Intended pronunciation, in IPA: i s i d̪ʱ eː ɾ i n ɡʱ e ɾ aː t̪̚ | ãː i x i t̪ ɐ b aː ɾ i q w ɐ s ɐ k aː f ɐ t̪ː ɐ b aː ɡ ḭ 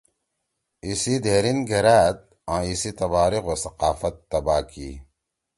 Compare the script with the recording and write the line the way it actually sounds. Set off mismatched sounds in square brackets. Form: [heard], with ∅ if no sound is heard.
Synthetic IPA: i s i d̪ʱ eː ɾ i n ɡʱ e ɾ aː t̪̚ | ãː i [s] i t̪ ɐ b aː ɾ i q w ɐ s ɐ [q] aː f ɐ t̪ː ɐ b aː [k] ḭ